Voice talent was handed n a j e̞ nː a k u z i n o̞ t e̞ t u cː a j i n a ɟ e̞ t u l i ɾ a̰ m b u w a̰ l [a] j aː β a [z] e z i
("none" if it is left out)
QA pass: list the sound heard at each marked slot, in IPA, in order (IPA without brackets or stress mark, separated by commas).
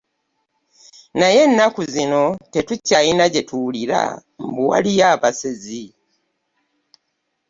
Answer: i, s